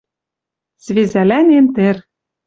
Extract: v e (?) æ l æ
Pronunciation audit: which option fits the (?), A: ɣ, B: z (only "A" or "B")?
B